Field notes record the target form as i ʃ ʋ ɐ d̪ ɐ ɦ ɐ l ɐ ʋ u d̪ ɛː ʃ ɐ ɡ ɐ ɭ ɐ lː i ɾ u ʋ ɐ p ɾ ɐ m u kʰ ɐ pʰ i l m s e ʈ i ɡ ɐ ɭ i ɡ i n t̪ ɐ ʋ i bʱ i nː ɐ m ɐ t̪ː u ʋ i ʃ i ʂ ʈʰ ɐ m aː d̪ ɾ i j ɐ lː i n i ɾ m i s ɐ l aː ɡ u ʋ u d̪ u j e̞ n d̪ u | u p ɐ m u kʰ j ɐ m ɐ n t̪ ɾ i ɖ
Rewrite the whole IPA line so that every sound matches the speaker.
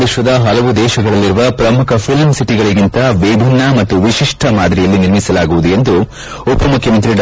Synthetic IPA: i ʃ ʋ ɐ d̪ ɐ ɦ ɐ l ɐ ʋ u d̪ ɛː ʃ ɐ ɡ ɐ ɭ ɐ lː i ɾ u ʋ ɐ p ɾ ɐ m u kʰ ɐ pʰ i l m s i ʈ i ɡ ɐ ɭ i ɡ i n t̪ ɐ ʋ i bʱ i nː ɐ m ɐ t̪ː u ʋ i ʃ i ʂ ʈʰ ɐ m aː d̪ ɾ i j ɐ lː i n i ɾ m i s ɐ l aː ɡ u ʋ u d̪ u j e̞ n d̪ u | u p ɐ m u kʰ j ɐ m ɐ n t̪ ɾ i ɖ